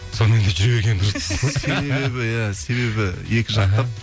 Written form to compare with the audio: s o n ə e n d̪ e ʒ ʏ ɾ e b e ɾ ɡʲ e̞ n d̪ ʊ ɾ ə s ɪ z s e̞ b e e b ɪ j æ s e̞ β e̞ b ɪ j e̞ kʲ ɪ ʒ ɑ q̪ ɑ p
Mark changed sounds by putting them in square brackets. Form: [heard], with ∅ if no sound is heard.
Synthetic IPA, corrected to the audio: s o n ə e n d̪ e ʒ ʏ ɾ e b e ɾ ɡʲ e̞ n d̪ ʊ ɾ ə s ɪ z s e̞ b e e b ɪ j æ s e̞ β e̞ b ɪ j e̞ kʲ ɪ ʒ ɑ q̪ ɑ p